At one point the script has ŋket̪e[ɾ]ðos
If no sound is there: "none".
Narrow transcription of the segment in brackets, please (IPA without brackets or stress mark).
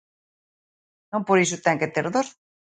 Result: ɾ